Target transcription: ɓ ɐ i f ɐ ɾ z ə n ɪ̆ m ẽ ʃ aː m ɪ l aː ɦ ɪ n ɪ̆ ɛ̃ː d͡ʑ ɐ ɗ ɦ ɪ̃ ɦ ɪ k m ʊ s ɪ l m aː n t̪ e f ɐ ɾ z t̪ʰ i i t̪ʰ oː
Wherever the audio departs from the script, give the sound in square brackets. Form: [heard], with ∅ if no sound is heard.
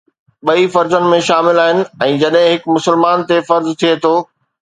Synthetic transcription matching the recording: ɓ ɐ i f ɐ ɾ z ə n ɪ̆ m ẽ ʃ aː m ɪ l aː ɦ ɪ n ɪ̆ ɛ̃ː d͡ʑ ɐ ɗ ɦ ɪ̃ ɦ ɪ k m ʊ s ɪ l m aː n t̪ e f ɐ ɾ z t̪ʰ i [e] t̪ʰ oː